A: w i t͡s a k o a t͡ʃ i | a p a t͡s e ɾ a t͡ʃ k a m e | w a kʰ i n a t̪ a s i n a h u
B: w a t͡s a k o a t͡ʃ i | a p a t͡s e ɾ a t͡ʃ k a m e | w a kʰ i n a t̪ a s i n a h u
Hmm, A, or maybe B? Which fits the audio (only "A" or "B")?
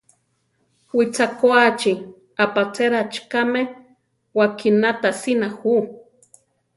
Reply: A